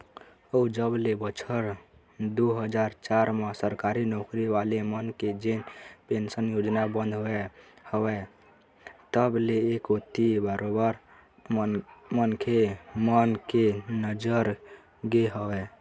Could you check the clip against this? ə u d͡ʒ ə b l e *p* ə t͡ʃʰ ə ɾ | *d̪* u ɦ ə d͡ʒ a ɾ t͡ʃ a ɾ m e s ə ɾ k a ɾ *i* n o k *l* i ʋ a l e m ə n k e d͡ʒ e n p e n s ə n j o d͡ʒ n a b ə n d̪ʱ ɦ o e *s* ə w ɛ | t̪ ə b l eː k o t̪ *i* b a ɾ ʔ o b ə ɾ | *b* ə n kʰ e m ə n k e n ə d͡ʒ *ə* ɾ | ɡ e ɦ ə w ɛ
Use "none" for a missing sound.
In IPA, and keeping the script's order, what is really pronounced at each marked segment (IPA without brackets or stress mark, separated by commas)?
b, d̪, i, ɾ, h, i, m, ə